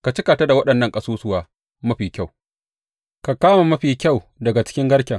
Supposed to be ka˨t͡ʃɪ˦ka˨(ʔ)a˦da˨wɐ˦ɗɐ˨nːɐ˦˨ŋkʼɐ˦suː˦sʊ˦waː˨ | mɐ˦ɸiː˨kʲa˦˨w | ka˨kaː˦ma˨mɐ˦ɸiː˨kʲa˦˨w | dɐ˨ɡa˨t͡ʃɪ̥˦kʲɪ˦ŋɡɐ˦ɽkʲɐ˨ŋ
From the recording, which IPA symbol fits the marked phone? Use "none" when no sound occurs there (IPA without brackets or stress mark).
t